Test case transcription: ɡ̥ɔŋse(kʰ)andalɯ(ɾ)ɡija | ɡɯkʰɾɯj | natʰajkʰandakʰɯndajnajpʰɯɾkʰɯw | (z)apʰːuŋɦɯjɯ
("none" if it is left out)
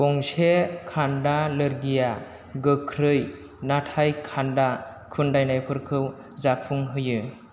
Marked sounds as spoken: kʰ, ɾ, z

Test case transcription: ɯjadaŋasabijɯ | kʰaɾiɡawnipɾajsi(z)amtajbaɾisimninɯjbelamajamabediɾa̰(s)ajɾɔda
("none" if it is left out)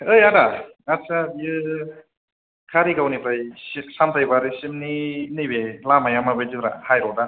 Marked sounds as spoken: s, h

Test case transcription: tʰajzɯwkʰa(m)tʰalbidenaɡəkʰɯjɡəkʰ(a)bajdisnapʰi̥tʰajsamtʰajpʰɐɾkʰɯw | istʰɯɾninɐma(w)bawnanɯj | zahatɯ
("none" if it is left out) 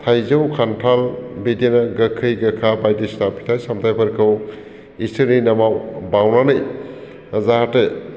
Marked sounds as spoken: n, a, w

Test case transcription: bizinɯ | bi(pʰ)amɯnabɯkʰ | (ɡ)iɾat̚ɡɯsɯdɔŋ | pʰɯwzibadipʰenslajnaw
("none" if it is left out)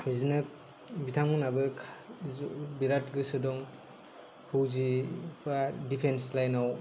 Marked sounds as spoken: tʰ, b

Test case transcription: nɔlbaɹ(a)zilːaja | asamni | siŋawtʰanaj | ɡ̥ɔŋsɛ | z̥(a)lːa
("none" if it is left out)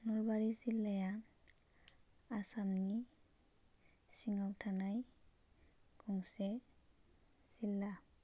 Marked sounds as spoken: i, i

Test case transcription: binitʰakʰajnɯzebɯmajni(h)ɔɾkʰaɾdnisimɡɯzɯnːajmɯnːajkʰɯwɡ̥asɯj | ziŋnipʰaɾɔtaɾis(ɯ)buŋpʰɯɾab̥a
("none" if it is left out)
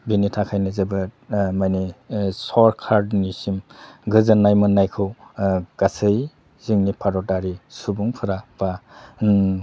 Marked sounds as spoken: s, u

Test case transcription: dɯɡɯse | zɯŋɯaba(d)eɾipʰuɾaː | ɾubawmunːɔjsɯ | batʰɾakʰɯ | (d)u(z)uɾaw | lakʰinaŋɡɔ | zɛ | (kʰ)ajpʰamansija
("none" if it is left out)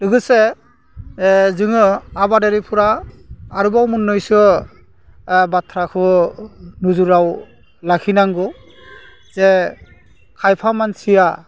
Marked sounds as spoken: d, n, z, kʰ

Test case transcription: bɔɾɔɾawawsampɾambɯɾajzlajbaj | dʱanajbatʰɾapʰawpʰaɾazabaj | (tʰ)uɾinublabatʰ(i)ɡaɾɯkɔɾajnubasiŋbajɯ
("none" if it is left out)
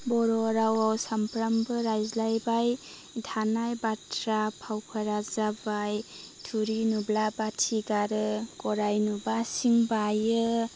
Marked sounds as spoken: tʰ, i

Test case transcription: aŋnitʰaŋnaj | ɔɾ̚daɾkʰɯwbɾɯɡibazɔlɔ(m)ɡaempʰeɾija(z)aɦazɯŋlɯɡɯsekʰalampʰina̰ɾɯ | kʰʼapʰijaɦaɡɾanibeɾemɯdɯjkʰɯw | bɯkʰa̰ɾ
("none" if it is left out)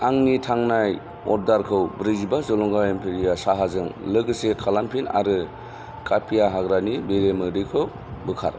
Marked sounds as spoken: ŋ, s

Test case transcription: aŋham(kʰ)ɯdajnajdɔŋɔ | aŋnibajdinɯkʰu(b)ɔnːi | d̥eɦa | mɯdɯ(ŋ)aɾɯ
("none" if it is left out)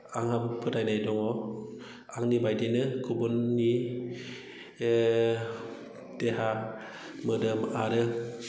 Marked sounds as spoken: pʰ, b, m

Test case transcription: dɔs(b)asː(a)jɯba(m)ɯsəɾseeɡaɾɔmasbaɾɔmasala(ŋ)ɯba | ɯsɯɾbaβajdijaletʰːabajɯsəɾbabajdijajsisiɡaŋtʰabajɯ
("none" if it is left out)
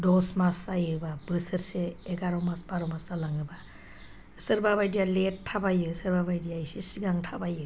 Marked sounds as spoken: m, a, b, ŋ

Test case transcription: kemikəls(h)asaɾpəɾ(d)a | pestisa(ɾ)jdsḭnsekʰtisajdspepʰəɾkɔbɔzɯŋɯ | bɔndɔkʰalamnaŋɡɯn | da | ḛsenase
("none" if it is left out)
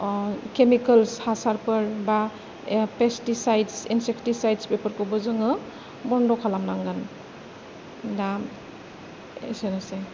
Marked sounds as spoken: h, b, none

